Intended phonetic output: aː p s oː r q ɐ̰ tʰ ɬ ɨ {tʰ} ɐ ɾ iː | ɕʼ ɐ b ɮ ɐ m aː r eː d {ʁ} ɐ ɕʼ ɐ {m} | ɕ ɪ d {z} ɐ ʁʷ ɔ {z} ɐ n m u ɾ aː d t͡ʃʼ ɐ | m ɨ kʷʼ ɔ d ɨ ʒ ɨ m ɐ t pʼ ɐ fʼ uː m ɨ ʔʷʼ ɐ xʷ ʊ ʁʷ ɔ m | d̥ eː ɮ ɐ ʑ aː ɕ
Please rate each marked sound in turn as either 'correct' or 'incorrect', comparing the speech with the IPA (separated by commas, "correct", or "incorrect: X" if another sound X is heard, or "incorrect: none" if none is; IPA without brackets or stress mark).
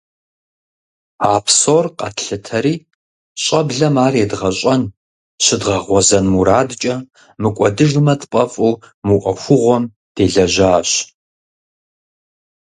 correct, correct, incorrect: n, incorrect: ʁ, correct